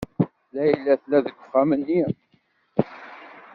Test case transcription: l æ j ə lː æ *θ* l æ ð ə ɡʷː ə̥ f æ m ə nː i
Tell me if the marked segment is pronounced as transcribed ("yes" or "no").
yes